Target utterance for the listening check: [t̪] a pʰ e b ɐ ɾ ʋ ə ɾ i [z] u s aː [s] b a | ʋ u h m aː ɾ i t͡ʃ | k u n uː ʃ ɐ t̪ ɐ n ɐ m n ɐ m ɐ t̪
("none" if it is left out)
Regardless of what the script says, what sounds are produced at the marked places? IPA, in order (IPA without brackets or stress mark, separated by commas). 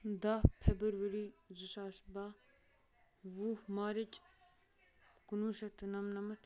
d̪, z, s